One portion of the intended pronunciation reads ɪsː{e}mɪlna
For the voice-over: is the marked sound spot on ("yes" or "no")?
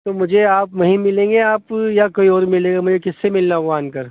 yes